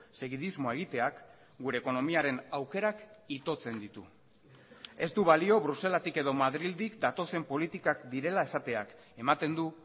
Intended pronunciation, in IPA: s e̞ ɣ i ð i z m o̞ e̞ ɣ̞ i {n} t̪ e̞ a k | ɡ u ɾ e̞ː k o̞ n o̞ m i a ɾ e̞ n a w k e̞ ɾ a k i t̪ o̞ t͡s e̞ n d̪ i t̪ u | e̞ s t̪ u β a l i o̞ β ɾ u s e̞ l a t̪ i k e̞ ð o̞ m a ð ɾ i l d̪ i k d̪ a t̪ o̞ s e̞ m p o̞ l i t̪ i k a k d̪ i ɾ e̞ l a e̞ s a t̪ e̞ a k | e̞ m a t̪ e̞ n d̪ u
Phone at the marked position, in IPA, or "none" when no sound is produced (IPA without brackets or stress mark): none